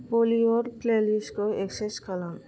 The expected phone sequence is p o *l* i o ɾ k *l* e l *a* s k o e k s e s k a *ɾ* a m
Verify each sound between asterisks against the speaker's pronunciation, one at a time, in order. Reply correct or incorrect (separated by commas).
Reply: correct, correct, incorrect, incorrect